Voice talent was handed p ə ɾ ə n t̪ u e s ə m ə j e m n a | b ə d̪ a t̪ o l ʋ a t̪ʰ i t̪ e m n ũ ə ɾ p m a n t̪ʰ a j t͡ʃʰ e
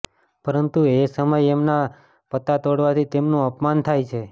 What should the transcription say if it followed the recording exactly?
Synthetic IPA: p ə ɾ ə n t̪ u e s ə m ə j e m n a | p ə t̪ a t̪ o ɽ ʋ a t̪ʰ i t̪ e m n ũ ə p m a n t̪ʰ a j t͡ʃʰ e